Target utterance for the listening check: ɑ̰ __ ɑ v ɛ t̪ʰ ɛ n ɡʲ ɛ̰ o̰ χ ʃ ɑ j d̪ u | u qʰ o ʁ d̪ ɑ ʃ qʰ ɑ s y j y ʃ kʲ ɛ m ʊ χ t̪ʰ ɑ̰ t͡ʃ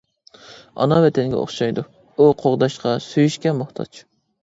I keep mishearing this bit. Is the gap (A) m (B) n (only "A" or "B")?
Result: B